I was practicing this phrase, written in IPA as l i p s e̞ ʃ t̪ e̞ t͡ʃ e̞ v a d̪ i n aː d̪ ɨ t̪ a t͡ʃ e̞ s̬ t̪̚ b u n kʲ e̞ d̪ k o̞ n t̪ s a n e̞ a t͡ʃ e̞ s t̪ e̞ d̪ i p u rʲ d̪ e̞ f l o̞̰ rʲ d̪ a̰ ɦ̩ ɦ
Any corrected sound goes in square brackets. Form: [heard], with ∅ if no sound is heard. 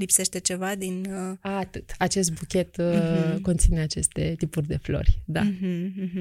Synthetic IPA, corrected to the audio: l i p s e̞ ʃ t̪ e̞ t͡ʃ e̞ v a d̪ i n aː [t̪] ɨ t̪ a t͡ʃ e̞ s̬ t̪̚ b u [∅] kʲ e̞ [t̪] k o̞ n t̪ s [i] n e̞ a t͡ʃ e̞ s t̪ e̞ [t̪] i p u rʲ d̪ e̞ f l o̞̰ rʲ d̪ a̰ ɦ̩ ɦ